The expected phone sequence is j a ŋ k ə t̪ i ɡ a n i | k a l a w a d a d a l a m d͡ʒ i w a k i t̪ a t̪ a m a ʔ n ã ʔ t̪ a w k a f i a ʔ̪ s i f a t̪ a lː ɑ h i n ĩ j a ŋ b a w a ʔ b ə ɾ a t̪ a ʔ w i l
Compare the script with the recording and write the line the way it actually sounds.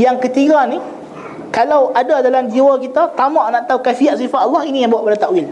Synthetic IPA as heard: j a ŋ k ə t̪ i ɡ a n i | k a l a w a d a d a l a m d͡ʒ i w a k i t̪ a t̪ a m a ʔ n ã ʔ t̪ a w k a f i a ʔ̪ s i f a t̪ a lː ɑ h i n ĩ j a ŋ b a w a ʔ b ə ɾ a t̪ a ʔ w i l